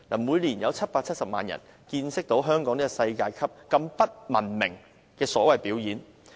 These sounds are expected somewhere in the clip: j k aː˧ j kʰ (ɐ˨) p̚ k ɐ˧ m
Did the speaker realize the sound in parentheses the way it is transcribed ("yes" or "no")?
no